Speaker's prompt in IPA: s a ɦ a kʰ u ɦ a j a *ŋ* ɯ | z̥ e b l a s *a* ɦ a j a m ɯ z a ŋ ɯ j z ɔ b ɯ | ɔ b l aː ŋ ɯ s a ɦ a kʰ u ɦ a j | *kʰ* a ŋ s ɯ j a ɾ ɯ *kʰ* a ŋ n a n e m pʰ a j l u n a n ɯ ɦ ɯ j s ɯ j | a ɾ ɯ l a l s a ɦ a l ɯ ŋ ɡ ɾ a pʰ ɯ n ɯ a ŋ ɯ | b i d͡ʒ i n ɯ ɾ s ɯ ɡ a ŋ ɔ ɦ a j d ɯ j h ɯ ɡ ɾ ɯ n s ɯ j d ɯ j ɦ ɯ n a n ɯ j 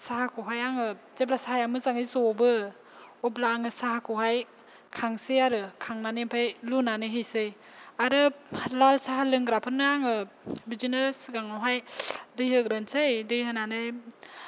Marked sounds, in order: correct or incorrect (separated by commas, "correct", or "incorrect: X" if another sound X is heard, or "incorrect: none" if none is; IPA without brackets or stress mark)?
correct, correct, correct, correct